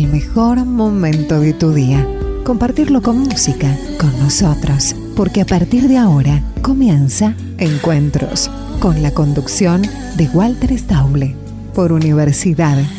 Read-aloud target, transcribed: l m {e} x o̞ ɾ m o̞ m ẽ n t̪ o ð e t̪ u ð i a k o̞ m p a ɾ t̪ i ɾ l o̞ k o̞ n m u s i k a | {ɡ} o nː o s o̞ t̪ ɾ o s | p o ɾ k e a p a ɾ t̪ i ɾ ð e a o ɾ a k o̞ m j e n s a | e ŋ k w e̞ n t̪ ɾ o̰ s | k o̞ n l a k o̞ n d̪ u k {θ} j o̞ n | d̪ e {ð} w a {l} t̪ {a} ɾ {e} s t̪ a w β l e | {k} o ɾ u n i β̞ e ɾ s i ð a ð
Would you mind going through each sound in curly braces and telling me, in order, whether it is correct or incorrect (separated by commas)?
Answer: correct, incorrect, incorrect, incorrect, correct, incorrect, correct, incorrect